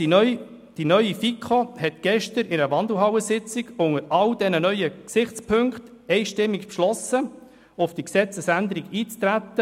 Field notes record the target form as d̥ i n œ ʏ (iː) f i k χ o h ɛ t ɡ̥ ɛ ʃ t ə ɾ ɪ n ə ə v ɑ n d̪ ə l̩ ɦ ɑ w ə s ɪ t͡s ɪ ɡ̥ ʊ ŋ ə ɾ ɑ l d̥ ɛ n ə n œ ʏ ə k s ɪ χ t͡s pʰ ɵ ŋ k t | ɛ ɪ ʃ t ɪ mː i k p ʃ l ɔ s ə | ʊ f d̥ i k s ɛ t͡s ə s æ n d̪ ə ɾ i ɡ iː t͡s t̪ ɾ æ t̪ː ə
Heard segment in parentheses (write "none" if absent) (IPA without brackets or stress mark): i